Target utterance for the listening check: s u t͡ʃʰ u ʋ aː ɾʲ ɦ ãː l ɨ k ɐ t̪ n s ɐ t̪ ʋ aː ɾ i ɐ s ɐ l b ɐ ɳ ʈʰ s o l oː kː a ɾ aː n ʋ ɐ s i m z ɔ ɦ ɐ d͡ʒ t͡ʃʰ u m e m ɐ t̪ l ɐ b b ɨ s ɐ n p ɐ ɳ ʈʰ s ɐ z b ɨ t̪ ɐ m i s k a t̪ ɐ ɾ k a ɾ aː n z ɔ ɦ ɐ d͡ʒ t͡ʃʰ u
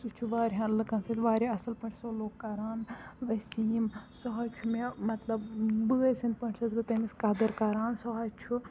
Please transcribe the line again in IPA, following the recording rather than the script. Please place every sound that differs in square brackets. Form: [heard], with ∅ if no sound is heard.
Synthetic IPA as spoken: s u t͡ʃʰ u ʋ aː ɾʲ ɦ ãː l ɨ k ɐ [∅] n s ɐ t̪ ʋ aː ɾ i ɐ s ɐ l [p] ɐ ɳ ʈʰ s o l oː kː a ɾ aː n ʋ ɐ s i m [s] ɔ ɦ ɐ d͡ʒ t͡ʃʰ u m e m ɐ t̪ l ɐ b b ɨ s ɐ n p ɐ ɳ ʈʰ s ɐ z b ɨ t̪ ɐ m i s k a [d̪] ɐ ɾ k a ɾ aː n [s] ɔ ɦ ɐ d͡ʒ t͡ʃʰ u